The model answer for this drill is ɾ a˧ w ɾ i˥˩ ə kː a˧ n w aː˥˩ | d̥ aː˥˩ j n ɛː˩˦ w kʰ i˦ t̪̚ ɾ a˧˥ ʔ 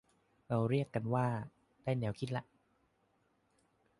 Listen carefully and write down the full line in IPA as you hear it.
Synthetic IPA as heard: ɾ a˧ w ɾ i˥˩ ə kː a˧ n w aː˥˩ | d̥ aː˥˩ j n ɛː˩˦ w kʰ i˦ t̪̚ l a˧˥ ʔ